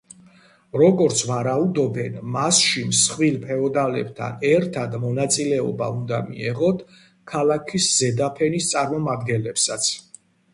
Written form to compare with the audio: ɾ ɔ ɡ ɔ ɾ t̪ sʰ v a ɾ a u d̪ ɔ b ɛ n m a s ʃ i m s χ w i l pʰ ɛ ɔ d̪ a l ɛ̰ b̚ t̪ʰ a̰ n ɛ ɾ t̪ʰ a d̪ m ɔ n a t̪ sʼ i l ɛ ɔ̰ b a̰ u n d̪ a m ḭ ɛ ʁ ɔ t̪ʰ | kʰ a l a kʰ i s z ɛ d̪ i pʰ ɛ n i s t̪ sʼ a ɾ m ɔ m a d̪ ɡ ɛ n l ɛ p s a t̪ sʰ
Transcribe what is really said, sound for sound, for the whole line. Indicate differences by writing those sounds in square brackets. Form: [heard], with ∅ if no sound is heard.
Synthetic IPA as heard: ɾ ɔ ɡ ɔ ɾ t̪ sʰ v a ɾ a u d̪ ɔ b ɛ n m a s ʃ i m s χ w i l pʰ ɛ ɔ d̪ a l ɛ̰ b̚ t̪ʰ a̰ n ɛ ɾ t̪ʰ a d̪ m ɔ n a t̪ sʼ i l ɛ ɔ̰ b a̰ u n d̪ a m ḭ ɛ ʁ ɔ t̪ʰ | kʰ a l a kʰ i s z ɛ d̪ [a] pʰ ɛ n i s t̪ sʼ a ɾ m ɔ m a d̪ ɡ ɛ n l ɛ p s a t̪ sʰ